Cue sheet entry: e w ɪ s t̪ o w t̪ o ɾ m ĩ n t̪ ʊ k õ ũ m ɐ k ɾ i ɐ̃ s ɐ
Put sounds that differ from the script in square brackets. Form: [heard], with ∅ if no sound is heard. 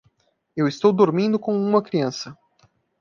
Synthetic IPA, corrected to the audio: e w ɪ s t̪ o w [d̪] o ɾ m ĩ n [d̪] ʊ k õ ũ m ɐ k ɾ i ɐ̃ s ɐ